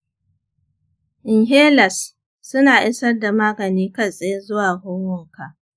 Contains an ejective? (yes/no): yes